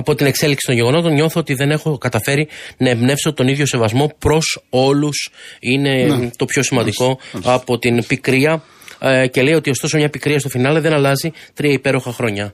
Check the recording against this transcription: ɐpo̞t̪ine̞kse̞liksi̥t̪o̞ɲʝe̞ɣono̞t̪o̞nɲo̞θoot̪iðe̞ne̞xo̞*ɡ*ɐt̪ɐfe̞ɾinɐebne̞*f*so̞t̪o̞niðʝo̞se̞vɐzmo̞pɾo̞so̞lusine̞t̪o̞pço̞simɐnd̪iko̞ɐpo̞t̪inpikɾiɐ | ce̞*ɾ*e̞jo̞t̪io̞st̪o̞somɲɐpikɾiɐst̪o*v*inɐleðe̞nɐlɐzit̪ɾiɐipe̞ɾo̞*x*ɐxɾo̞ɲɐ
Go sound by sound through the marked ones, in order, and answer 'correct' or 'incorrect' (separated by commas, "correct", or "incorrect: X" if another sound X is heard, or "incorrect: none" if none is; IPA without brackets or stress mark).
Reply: incorrect: k, correct, incorrect: l, incorrect: f, correct